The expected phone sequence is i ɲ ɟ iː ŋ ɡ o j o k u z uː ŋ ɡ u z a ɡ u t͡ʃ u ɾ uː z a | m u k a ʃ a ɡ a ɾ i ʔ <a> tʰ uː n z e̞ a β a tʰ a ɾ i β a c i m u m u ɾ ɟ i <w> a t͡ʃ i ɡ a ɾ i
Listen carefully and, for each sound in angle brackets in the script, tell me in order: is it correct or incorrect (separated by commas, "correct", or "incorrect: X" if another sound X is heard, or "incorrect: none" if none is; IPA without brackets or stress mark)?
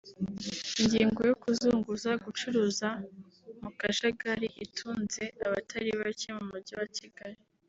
incorrect: i, correct